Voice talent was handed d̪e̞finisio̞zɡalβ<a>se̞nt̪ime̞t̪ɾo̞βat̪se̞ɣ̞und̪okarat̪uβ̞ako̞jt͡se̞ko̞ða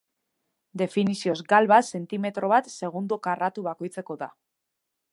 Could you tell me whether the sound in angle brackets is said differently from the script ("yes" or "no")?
no